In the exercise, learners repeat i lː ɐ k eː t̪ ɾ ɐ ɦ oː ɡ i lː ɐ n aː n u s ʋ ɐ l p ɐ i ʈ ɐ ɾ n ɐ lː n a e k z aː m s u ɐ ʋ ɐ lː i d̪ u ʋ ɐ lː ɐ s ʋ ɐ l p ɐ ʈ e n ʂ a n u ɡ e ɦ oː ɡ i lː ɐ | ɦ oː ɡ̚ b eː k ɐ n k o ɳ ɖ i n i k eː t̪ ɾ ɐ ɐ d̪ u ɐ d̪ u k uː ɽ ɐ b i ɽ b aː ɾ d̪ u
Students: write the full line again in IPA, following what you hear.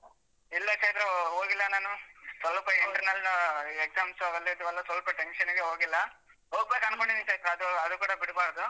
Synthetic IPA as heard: i lː ɐ k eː t̪ ɾ ɐ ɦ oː ɡ i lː ɐ n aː n u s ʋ ɐ l p ɐ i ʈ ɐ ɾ n ɐ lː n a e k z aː m s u ɐ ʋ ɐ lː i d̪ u ʋ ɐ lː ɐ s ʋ ɐ l p ɐ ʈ e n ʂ ɐ n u ɡ e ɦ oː ɡ i lː ɐ | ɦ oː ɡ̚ b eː k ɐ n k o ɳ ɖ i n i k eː t̪ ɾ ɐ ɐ d̪ u ɐ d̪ u k uː ɽ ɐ b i ɽ b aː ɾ d̪ u